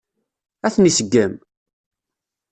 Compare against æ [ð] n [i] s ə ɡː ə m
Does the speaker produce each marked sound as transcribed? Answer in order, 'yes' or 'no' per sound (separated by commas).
no, yes